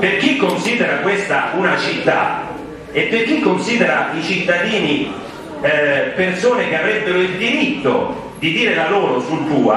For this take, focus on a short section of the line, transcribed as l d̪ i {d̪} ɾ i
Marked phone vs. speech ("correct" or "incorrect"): incorrect